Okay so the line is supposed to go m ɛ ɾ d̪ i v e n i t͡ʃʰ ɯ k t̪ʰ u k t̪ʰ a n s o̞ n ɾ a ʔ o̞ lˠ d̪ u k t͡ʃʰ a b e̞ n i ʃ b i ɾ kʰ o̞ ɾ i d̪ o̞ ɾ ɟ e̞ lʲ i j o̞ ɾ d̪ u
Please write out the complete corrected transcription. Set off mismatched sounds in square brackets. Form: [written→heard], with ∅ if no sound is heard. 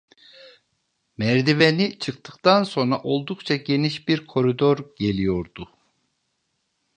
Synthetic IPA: m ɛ ɾ d̪ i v e n i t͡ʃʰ ɯ k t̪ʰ [u→ɯ] k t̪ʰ a n s o̞ n ɾ a ʔ o̞ lˠ d̪ u k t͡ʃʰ a [b→ɟ] e̞ n i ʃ b i ɾ kʰ o̞ ɾ i d̪ o̞ ɾ ɟ e̞ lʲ i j o̞ ɾ d̪ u